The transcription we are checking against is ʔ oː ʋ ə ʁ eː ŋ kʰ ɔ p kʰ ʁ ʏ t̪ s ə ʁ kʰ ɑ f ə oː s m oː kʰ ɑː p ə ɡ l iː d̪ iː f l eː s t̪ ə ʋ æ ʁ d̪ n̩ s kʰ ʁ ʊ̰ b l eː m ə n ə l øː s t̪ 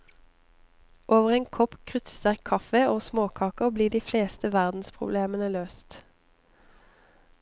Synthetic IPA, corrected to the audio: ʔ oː ʋ ə ʁ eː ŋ kʰ ɔ p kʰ ʁ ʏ t̪ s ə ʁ kʰ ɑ f ə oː s m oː kʰ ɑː k ə b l iː d̪ iː f l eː s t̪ ə ʋ æ ʁ d̪ n̩ s pʰ ʁ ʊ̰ b l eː m ə n ə l øː s t̪